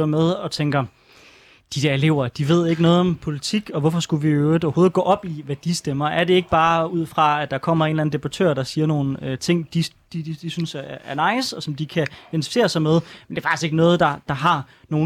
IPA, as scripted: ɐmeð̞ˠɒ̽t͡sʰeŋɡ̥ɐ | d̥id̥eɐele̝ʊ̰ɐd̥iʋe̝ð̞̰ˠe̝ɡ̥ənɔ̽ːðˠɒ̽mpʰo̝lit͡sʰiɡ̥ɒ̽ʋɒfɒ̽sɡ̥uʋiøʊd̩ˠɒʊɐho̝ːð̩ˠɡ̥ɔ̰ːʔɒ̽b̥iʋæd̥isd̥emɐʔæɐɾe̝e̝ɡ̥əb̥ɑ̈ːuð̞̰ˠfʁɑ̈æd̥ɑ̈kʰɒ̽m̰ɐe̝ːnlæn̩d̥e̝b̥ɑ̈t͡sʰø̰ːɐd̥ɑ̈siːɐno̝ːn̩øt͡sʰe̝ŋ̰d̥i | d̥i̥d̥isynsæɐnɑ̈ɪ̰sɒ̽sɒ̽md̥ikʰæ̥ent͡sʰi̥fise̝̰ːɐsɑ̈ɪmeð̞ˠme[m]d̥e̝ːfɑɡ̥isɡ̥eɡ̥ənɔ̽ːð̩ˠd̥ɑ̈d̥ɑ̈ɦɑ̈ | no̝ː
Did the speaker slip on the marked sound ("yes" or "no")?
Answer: yes